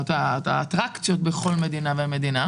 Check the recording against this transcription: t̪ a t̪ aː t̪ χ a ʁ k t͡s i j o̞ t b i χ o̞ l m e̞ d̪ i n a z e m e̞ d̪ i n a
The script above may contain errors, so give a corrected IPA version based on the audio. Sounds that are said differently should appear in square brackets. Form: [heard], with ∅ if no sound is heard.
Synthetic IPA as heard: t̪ a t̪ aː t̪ [ʁ] a [∅] k t͡s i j o̞ t b [e] χ o̞ l m e̞ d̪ i n a [v] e m e̞ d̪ i n a